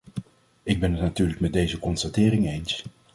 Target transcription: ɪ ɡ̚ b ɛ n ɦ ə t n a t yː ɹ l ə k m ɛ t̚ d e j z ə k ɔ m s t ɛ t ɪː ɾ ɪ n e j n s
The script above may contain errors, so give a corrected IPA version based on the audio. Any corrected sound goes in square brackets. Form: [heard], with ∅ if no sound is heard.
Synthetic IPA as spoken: ɪ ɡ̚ b ɛ n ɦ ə t n a t yː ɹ l ə k m ɛ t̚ d e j z ə k ɔ [n] s t [a] t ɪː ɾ ɪ [ŋ] e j n s

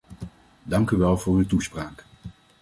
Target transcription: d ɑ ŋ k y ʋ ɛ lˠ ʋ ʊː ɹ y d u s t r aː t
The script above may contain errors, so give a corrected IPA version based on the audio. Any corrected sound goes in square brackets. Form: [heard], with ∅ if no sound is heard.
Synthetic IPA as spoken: d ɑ ŋ k y ʋ ɛ lˠ [v] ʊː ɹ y [t] u s [p] r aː [k]

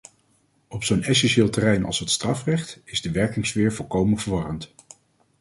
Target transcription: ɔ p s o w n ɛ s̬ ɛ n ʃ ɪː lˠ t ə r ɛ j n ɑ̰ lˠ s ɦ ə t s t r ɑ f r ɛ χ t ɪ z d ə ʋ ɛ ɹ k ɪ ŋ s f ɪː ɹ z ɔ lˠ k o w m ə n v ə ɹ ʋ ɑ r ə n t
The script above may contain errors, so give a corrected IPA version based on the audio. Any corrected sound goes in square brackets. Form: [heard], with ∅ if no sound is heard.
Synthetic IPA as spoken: ɔ p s o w n ɛ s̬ ɛ n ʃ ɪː lˠ t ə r ɛ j n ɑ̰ lˠ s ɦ ə t s t r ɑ f r ɛ χ t ɪ z d ə ʋ ɛ ɹ k ɪ ŋ s f ɪː ɹ [v] ɔ lˠ k o w m ə n v ə ɹ ʋ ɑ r ə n t

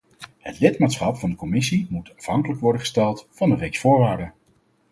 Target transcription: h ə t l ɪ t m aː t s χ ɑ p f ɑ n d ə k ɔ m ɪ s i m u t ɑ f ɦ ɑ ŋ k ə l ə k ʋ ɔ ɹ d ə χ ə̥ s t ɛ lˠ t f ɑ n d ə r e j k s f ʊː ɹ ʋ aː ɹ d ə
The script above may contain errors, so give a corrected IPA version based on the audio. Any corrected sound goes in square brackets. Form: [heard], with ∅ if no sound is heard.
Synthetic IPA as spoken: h ə t l ɪ t m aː t s χ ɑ p f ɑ n d ə k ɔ m ɪ s i m u t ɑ f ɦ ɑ ŋ k ə l ə k ʋ ɔ ɹ d ə χ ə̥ s t ɛ lˠ t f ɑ n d ə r e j k s f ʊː ɹ ʋ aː ɹ d ə

